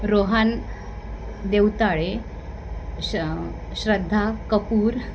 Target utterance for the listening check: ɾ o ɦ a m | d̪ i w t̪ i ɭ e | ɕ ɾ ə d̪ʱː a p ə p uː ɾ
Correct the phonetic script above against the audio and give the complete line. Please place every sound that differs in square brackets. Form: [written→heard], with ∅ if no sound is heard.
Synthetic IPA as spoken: ɾ o ɦ a [m→n] | d̪ [i→e] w t̪ [i→a] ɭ e | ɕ ɾ ə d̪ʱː a [p→k] ə p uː ɾ